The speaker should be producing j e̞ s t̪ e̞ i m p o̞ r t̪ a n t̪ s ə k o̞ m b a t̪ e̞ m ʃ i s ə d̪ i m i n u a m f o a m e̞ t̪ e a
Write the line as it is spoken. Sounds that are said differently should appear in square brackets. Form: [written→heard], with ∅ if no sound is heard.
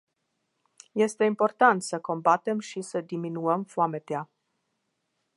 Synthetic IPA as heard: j e̞ s t̪ e̞ i m p o̞ r t̪ a n t̪ s ə k o̞ m b a t̪ e̞ m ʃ i s ə d̪ i m i n u [a→ə] m f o a m e̞ t̪ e a